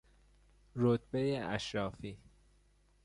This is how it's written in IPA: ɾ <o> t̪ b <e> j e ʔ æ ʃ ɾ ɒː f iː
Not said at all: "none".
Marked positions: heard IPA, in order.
o, e

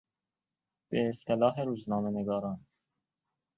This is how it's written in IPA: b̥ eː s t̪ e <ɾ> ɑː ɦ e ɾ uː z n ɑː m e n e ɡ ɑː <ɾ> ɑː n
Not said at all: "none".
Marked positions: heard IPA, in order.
l, ɾ

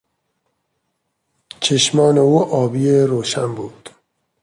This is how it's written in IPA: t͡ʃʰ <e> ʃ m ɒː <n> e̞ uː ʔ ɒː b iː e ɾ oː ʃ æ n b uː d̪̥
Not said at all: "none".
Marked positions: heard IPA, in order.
e, n

